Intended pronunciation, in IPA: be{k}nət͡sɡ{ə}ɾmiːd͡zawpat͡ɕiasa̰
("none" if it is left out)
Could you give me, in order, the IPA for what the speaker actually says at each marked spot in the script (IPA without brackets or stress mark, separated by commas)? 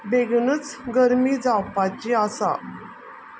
ɡ, ə